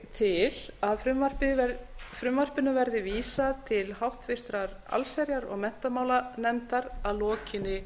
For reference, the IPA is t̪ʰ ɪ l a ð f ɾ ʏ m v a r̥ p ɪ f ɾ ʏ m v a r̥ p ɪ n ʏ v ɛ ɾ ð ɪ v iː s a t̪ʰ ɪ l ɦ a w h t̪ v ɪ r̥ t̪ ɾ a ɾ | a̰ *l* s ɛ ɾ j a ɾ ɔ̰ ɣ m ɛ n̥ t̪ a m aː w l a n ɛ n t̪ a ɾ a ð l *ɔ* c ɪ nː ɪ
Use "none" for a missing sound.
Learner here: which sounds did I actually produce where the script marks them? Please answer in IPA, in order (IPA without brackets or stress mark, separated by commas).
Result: l, ɔː